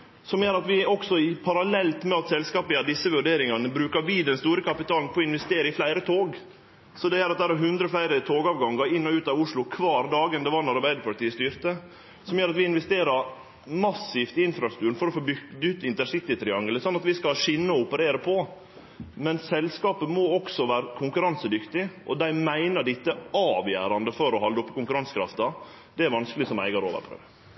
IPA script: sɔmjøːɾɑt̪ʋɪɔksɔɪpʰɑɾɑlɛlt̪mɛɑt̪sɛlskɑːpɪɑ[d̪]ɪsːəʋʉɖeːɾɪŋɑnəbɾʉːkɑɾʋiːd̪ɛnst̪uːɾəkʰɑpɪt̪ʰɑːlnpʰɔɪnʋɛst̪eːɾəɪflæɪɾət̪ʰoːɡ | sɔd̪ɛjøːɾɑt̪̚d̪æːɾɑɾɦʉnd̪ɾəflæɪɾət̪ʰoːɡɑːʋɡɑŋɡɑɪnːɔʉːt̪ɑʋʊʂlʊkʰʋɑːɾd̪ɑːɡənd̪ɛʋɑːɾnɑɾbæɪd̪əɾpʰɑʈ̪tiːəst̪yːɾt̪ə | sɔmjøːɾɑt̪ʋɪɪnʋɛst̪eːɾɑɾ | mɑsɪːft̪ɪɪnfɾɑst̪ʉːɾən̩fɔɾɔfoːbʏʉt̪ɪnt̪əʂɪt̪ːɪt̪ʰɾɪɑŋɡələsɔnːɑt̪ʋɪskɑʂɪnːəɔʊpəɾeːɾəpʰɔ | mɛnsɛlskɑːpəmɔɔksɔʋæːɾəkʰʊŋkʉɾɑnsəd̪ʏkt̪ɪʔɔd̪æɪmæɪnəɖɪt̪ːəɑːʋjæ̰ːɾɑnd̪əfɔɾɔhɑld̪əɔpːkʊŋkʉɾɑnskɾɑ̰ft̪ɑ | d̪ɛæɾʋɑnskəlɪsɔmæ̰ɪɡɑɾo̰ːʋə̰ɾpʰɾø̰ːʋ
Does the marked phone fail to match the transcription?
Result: no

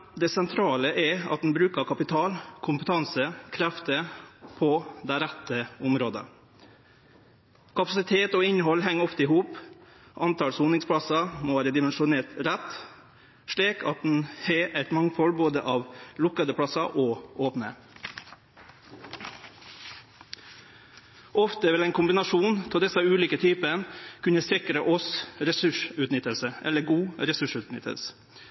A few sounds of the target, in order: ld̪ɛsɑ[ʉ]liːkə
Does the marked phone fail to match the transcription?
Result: yes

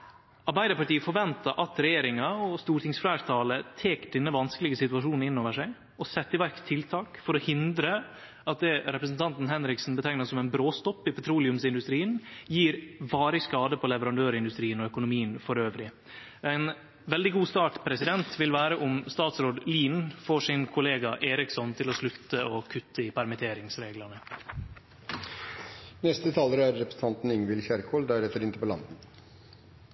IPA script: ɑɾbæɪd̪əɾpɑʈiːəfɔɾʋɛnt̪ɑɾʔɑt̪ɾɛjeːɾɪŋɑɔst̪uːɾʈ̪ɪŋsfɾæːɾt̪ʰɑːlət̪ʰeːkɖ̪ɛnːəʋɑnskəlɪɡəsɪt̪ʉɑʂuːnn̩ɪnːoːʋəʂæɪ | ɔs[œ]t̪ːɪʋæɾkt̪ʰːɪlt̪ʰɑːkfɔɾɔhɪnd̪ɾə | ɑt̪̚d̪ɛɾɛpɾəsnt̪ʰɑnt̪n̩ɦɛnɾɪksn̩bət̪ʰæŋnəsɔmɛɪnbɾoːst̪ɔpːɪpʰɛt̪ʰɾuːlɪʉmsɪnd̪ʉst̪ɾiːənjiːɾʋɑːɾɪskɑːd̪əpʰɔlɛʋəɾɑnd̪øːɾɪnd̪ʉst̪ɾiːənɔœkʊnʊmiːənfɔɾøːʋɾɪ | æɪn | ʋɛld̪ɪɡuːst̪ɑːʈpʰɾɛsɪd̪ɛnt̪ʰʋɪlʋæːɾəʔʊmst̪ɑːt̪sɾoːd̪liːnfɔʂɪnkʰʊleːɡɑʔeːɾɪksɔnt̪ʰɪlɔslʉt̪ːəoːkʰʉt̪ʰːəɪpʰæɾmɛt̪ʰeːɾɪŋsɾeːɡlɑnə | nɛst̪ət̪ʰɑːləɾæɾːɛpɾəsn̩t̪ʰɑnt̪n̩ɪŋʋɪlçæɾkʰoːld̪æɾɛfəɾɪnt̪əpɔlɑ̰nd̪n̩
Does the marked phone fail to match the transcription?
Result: yes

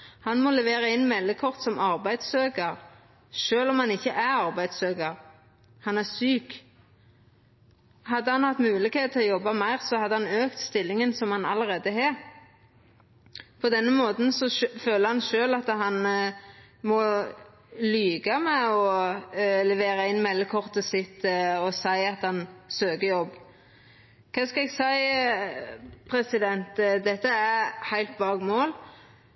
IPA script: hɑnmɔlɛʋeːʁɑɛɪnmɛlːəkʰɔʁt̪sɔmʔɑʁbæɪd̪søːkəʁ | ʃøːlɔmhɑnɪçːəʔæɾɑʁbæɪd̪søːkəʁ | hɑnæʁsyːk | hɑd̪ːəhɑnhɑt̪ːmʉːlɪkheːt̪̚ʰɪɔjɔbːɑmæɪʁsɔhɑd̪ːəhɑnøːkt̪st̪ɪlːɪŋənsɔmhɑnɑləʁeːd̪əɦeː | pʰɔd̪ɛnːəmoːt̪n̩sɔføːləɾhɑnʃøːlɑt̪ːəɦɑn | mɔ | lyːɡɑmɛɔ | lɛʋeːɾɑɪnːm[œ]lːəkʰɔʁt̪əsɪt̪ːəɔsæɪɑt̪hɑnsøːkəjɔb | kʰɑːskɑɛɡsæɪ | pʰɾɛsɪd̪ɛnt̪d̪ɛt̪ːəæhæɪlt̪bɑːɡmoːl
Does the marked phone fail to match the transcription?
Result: yes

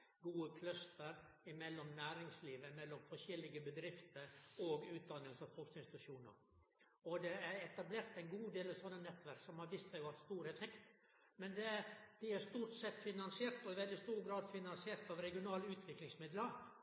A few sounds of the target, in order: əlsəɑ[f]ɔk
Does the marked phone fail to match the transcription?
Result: no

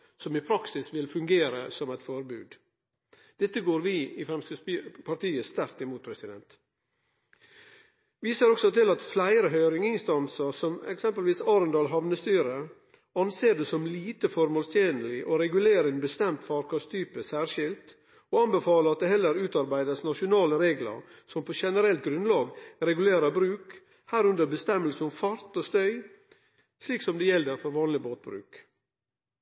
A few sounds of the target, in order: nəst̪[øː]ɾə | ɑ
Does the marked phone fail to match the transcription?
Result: yes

